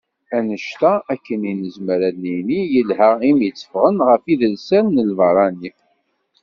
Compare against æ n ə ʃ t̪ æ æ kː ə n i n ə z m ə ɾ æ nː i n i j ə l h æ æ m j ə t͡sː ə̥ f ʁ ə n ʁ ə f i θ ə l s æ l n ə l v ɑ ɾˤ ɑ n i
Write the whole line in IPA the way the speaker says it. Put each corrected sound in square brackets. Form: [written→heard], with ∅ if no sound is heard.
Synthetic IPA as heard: æ n ə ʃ t̪ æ æ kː ə n i n ə z m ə ɾ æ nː i n i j ə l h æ [æ→i] m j ə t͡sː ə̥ f ʁ ə n ʁ ə f i [θ→ð] ə l s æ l n ə l v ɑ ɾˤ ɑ n i